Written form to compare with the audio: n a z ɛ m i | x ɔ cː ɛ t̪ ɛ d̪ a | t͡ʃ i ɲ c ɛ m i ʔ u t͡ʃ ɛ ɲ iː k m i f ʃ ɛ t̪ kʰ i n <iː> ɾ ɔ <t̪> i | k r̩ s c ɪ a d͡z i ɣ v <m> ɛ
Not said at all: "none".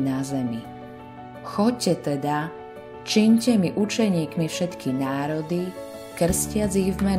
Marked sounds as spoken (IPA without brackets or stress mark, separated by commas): aː, d̪, m